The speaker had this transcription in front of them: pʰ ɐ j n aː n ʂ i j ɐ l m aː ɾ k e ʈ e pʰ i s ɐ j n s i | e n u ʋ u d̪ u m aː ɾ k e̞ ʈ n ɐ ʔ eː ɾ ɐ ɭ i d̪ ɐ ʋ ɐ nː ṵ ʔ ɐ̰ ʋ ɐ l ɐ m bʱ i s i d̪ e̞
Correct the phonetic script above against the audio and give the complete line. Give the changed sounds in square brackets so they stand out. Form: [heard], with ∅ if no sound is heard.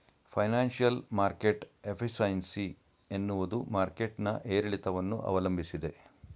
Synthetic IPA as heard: pʰ ɐ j n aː n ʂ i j ɐ l m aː ɾ k e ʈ e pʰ i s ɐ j n s i | e [nː] u ʋ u d̪ u m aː ɾ k e̞ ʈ n ɐ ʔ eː ɾ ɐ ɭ i [t̪] ɐ ʋ ɐ nː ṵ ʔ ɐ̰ ʋ ɐ l ɐ m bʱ i s i d̪ e̞